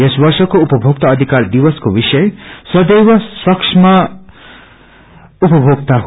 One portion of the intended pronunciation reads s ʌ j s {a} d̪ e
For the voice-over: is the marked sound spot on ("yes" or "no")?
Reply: no